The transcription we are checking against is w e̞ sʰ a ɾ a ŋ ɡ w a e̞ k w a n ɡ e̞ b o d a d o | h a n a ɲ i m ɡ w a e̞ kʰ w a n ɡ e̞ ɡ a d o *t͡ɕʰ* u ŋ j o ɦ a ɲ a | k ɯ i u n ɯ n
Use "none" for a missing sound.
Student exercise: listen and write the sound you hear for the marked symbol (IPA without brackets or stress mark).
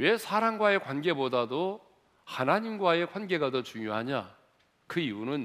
t͡ɕ